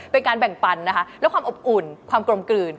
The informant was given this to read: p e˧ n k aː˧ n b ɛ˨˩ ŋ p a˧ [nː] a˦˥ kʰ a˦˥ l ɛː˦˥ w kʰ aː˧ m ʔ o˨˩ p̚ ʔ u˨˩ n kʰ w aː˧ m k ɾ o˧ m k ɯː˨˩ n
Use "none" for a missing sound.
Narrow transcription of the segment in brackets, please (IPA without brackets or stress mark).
nː